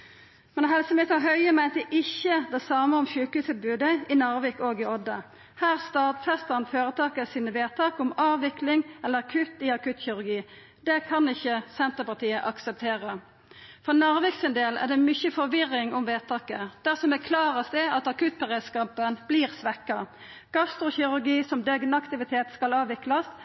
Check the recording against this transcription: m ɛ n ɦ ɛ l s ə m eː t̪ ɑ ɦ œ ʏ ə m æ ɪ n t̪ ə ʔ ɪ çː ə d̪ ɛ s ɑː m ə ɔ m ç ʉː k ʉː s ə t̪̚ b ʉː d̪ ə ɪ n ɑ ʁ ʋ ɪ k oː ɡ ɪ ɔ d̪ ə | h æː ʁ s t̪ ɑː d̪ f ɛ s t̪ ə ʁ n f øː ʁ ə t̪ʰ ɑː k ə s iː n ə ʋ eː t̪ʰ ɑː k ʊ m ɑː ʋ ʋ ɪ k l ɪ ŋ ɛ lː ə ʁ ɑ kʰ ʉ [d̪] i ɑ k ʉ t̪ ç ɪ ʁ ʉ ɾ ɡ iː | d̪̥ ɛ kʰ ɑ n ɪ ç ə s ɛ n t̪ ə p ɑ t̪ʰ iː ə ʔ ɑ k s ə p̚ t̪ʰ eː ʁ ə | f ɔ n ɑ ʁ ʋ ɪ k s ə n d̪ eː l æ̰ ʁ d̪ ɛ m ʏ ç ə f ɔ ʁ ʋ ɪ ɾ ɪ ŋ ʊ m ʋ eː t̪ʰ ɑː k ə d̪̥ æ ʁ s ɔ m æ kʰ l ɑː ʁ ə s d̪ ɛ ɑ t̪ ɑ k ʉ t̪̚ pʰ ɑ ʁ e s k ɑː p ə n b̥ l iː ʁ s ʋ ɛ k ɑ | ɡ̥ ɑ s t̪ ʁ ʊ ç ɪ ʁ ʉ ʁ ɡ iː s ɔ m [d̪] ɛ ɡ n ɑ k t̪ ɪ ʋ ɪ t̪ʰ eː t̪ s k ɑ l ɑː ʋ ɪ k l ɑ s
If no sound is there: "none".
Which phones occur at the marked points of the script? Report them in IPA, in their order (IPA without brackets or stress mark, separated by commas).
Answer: t̪, d̪